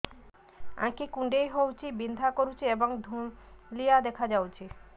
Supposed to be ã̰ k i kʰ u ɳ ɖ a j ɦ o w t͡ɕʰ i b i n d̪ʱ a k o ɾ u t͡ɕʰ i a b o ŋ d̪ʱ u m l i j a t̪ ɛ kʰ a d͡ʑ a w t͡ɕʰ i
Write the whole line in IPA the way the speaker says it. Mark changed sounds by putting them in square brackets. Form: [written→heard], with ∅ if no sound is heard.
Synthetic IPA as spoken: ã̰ k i [kʰ→k] u ɳ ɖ [a→e] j ɦ o w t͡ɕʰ i b i n d̪ʱ a k o ɾ u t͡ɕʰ i [a→e] b o ŋ d̪ʱ u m l i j a [t̪→d̪] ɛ kʰ a d͡ʑ a w t͡ɕʰ i